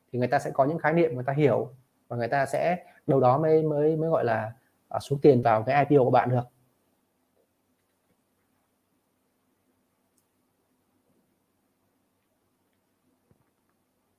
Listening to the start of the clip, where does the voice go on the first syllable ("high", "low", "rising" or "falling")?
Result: low